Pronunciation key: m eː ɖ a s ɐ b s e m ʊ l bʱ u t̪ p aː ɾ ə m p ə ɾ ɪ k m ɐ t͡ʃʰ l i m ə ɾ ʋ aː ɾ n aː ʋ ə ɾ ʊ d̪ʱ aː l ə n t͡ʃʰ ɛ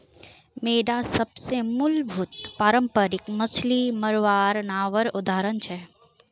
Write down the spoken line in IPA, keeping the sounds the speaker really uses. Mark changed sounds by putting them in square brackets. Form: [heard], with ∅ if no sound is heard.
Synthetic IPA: m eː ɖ a s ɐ b s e m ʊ l bʱ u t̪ p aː ɾ ə m p ə ɾ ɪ k m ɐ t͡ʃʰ l i m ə ɾ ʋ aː ɾ n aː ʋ ə ɾ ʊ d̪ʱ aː [ɾ] ə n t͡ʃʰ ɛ